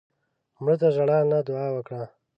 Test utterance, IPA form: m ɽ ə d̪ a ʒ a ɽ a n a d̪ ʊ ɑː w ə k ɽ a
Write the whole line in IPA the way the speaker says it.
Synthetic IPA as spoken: m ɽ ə t̪ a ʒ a ɽ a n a d̪ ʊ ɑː w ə k ɽ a